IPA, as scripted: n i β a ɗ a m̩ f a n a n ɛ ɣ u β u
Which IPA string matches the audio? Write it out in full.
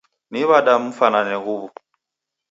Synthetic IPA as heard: n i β a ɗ a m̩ f a n a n ɛ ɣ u β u